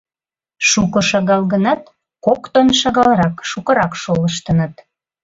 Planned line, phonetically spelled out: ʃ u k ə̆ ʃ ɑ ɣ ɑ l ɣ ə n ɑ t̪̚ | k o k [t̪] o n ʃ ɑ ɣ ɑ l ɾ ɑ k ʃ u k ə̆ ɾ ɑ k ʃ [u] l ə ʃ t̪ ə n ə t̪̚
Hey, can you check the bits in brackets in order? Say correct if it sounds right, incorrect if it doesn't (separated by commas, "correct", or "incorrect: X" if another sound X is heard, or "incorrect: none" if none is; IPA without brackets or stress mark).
correct, incorrect: o